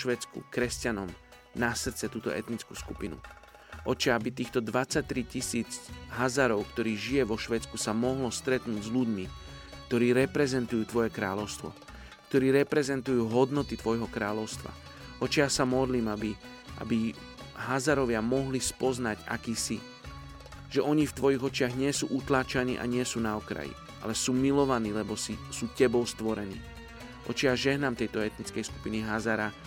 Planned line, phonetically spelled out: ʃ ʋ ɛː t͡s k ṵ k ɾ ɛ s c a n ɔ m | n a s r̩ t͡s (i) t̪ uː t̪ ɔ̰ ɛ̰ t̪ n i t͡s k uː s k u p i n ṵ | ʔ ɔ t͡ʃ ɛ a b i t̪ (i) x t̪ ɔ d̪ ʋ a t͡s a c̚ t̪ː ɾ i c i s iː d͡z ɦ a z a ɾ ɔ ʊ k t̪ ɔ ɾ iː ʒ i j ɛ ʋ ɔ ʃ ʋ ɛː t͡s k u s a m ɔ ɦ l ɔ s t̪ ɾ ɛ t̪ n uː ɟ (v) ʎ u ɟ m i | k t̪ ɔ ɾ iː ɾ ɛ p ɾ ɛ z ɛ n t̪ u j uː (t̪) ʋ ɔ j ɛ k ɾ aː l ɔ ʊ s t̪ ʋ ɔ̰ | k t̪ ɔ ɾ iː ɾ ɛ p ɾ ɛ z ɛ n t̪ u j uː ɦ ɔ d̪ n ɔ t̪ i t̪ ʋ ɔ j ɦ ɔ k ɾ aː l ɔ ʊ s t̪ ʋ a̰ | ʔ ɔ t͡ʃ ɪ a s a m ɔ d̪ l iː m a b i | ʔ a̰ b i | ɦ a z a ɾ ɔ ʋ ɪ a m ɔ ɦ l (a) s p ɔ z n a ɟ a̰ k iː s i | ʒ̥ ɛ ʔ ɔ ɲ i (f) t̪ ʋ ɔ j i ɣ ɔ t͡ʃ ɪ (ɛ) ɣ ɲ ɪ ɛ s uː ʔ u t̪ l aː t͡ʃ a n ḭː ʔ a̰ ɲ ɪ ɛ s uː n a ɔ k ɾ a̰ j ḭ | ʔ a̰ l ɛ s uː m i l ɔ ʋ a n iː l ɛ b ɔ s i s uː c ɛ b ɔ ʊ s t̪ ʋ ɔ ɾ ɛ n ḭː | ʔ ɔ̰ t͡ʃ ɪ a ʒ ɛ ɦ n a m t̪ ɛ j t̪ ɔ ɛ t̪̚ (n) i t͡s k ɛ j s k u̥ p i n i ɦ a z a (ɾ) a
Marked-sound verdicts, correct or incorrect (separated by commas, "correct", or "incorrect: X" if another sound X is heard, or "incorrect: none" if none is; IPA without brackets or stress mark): incorrect: ɛ, incorrect: iː, incorrect: z, correct, incorrect: i, correct, incorrect: a, correct, correct